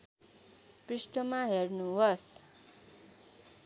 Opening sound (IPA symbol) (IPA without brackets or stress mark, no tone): p